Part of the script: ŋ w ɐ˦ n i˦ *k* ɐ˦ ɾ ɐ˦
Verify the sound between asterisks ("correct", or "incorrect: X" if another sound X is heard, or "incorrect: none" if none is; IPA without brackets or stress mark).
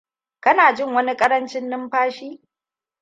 incorrect: kʼ